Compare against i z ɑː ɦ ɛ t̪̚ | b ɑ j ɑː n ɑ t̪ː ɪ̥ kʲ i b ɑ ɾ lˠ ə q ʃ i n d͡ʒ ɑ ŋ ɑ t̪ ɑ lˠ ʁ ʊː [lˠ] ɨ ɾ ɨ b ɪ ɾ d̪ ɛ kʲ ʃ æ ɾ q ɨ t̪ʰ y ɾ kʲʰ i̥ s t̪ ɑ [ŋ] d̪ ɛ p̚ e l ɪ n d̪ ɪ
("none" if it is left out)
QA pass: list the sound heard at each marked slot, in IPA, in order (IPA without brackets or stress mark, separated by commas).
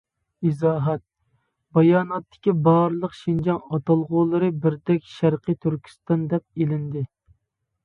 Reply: lˠ, n